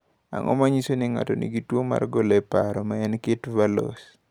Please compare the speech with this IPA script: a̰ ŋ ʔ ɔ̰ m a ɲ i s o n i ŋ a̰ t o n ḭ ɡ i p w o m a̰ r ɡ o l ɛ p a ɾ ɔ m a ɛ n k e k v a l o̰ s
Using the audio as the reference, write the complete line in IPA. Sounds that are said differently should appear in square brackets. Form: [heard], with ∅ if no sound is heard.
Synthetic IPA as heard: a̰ ŋ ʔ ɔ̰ m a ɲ i s o n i ŋ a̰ t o n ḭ ɡ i [t] w o m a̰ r ɡ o l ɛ p a ɾ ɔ m a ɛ n k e [t] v a l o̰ s